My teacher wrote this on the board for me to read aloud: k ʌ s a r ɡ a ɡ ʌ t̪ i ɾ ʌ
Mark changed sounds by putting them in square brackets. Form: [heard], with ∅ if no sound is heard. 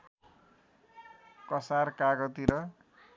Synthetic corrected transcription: k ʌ s a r [k] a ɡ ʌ t̪ i ɾ ʌ